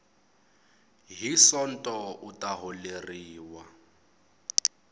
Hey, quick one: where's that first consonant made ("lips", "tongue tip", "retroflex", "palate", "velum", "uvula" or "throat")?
throat